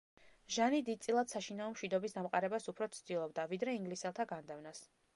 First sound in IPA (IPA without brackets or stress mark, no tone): ʒ